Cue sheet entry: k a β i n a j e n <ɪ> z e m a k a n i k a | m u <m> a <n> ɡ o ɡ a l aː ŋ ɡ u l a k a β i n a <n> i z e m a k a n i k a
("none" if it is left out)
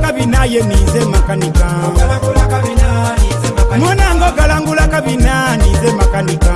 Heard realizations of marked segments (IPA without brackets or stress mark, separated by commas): i, n, ŋ, n